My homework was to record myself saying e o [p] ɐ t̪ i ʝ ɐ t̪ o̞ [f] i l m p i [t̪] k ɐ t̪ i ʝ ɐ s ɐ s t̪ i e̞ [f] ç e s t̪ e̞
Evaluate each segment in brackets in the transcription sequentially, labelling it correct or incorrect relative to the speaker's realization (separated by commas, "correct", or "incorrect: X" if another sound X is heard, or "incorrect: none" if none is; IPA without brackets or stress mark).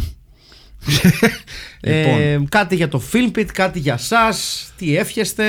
incorrect: k, correct, correct, correct